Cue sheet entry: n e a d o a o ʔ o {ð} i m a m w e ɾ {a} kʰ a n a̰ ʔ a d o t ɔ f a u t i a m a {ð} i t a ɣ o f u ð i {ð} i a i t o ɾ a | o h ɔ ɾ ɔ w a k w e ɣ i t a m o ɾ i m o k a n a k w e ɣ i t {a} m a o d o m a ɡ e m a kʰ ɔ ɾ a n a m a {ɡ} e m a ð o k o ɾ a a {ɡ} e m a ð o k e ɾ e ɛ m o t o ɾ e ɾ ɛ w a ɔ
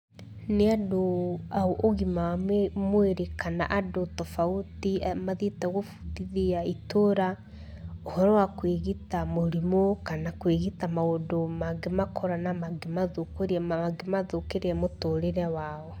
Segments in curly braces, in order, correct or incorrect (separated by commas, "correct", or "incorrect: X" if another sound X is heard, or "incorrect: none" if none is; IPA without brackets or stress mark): incorrect: ɣ, incorrect: e, correct, correct, correct, correct, correct